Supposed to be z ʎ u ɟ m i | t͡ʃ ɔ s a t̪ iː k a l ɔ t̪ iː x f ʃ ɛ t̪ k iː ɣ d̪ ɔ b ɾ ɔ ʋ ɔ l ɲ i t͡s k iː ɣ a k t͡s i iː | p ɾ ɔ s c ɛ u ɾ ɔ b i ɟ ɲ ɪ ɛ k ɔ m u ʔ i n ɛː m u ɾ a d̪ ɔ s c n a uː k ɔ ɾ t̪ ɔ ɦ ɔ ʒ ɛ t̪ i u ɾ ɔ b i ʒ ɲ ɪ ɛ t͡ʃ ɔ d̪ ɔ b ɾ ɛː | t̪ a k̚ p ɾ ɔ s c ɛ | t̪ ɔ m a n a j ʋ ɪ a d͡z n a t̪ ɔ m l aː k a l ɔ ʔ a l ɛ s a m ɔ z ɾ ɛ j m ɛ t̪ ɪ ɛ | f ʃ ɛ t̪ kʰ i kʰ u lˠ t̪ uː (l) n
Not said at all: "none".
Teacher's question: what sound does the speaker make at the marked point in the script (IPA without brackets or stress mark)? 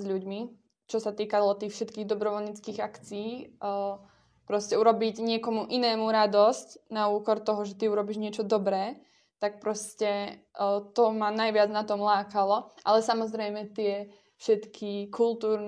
ɾ